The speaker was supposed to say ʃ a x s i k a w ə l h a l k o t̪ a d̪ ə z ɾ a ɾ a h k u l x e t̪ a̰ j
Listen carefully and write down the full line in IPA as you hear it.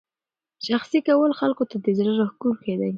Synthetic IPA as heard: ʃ a x s i k a w ə l x a l k o t̪ a d̪ ə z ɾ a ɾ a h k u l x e d̪ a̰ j